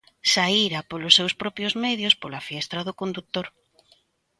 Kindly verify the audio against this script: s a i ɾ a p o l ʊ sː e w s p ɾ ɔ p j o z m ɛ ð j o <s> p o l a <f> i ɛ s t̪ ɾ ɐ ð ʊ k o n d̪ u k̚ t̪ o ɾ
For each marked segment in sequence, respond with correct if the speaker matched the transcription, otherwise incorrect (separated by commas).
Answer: correct, correct